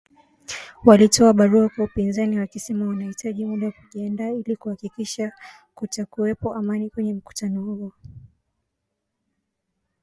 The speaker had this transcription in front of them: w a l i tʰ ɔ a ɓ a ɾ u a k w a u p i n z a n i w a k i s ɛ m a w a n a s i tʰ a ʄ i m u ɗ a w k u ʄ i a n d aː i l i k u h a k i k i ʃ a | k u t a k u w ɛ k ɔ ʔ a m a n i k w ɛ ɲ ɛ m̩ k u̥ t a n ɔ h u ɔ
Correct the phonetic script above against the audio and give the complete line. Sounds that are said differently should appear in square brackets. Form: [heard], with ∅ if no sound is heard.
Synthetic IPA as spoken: w a l i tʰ ɔ a ɓ a ɾ u a k w a u p i n z a n i w a k i s ɛ m a w a n a [h] i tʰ a ʄ i m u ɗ a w k u ʄ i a n d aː i l i k u h a k i k i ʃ a | k u t a k u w ɛ [p] ɔ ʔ a m a n i k w ɛ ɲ ɛ m̩ k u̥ t a n ɔ h u ɔ